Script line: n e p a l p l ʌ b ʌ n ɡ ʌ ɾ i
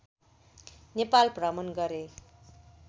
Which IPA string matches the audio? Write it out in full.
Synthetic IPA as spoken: n e p a l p r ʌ m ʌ n ɡ ʌ ɾ e